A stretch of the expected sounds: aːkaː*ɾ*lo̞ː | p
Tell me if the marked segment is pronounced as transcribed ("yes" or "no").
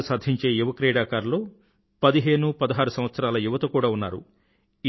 yes